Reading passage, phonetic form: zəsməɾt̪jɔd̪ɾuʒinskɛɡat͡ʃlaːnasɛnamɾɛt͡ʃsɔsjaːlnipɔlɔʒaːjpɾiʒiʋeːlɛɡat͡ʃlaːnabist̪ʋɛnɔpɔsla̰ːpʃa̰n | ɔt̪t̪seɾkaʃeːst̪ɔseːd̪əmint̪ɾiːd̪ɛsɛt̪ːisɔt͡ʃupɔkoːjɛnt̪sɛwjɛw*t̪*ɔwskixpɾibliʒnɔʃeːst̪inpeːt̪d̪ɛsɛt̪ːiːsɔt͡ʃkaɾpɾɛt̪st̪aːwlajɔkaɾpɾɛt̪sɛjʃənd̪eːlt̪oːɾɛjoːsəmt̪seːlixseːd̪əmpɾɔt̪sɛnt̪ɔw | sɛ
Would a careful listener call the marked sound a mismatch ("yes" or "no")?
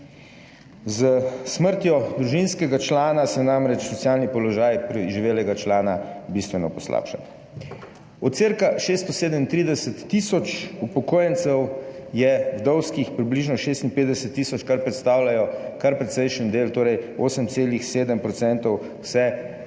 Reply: yes